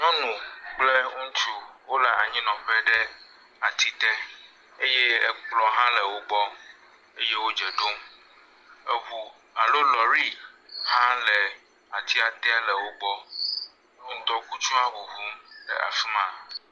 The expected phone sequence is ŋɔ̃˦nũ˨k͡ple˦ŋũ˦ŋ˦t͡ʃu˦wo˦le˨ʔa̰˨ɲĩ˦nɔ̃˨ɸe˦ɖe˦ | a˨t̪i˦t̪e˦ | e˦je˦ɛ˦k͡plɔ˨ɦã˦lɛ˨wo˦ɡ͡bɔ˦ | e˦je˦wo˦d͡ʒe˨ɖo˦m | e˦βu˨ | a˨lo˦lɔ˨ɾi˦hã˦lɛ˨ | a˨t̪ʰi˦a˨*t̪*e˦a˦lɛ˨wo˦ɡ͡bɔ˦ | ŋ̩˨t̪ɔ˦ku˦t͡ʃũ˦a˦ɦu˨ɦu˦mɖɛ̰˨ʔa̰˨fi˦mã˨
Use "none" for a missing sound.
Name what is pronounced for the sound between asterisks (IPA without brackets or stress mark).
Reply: t̪